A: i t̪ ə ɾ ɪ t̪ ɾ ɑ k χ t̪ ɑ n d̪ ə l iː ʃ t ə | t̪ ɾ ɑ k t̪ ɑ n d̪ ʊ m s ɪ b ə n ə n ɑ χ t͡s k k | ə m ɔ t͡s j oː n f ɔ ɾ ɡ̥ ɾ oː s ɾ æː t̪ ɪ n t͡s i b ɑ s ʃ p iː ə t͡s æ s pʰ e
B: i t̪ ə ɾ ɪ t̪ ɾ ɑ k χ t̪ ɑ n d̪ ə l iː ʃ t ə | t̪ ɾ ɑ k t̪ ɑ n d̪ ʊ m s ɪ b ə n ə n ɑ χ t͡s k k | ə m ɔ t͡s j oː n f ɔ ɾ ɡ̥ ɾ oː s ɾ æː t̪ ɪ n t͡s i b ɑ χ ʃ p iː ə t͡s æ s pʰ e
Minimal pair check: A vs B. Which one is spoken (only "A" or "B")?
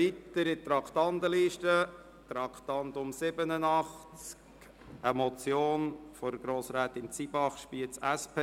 B